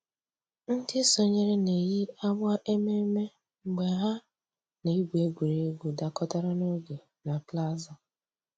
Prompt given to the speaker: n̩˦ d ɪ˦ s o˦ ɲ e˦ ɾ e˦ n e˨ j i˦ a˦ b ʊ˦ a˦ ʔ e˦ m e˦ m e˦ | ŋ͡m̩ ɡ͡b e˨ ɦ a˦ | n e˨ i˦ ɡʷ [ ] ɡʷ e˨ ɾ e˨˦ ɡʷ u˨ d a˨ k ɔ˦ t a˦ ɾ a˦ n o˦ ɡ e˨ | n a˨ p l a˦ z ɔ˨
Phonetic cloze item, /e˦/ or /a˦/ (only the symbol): e˦